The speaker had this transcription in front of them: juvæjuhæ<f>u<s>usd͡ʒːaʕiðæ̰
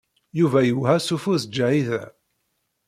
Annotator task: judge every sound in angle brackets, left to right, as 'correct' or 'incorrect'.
incorrect: s, incorrect: f

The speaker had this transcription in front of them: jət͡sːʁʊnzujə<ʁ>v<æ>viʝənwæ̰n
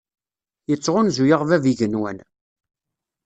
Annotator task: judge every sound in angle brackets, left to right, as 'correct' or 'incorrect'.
correct, correct

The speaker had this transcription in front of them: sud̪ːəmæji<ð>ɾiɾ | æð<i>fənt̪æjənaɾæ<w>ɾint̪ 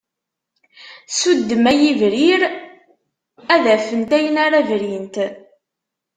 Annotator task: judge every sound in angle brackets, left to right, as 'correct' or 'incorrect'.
incorrect: v, incorrect: æ, incorrect: v

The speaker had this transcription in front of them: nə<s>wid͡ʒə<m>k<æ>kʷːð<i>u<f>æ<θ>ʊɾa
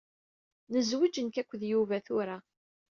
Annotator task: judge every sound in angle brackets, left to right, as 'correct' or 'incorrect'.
incorrect: z, incorrect: n, correct, incorrect: j, incorrect: v, correct

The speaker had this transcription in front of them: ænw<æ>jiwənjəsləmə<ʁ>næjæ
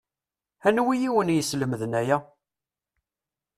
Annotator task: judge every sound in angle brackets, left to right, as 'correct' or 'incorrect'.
incorrect: i, incorrect: ð

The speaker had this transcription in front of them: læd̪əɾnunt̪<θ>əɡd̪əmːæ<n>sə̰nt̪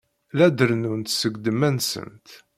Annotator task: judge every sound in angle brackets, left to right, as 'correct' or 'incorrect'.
incorrect: s, correct

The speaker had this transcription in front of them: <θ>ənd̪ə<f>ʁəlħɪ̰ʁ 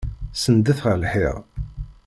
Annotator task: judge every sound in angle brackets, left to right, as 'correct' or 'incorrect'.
incorrect: s, incorrect: θ

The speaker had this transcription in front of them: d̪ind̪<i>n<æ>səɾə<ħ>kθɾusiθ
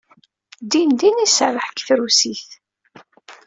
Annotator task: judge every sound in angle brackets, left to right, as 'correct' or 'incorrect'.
correct, incorrect: i, correct

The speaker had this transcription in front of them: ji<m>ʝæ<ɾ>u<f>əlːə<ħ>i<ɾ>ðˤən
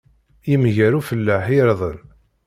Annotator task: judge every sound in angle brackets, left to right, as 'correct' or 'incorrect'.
correct, correct, correct, correct, correct

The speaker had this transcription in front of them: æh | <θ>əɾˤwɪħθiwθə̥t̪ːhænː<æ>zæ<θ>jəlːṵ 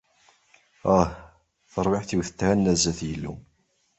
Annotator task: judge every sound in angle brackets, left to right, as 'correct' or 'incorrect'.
correct, correct, correct

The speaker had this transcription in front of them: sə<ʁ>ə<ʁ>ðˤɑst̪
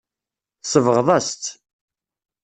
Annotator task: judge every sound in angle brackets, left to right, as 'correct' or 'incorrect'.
incorrect: v, correct

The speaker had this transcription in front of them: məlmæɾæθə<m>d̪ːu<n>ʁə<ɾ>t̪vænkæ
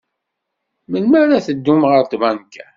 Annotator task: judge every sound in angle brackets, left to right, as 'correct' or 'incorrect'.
incorrect: none, incorrect: m, correct

